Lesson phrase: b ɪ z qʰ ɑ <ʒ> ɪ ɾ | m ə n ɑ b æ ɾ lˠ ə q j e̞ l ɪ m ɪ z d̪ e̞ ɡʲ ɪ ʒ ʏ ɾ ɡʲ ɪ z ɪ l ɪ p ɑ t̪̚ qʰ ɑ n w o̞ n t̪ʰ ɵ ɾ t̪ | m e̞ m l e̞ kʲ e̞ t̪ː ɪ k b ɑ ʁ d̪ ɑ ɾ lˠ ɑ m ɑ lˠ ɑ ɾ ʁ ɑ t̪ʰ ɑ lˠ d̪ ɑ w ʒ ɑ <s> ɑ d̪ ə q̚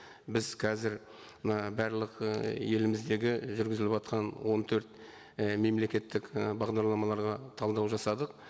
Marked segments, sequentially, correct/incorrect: incorrect, correct

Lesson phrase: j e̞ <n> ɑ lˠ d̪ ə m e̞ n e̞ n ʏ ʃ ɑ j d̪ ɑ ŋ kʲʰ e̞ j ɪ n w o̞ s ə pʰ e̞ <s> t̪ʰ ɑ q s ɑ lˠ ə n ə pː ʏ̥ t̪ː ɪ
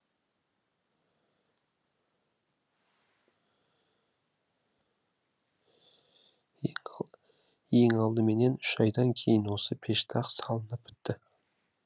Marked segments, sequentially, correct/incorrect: incorrect, incorrect

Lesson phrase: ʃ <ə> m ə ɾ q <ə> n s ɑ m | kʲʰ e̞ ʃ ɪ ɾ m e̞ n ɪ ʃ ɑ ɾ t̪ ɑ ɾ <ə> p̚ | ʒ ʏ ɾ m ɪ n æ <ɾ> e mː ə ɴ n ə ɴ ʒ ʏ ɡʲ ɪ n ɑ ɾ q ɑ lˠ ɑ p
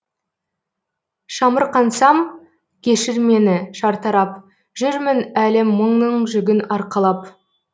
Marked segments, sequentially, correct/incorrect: incorrect, incorrect, incorrect, incorrect

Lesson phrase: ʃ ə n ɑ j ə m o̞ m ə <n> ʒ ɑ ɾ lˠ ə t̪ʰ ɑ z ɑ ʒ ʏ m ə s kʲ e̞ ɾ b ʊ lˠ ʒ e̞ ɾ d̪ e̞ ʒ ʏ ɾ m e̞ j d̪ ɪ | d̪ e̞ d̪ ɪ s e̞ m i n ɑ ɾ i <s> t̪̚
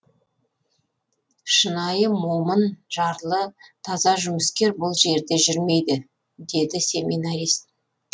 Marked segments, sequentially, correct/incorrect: correct, correct

